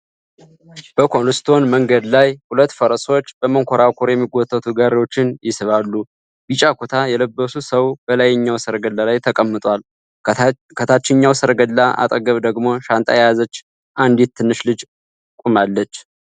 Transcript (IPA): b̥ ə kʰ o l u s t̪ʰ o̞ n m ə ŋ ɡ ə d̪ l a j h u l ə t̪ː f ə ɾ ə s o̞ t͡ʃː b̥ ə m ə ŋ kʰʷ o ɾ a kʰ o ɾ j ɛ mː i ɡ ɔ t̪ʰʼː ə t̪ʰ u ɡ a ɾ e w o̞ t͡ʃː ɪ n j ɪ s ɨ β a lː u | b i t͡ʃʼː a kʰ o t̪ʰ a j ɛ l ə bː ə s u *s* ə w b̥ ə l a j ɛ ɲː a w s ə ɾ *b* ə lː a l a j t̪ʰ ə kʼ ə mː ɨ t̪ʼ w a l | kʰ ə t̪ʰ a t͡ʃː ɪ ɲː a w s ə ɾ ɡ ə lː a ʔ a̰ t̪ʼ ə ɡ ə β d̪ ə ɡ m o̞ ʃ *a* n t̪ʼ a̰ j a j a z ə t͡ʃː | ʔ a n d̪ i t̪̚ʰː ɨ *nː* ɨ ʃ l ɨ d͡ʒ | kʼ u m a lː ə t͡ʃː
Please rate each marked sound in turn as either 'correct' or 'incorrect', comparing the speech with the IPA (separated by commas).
correct, incorrect, correct, correct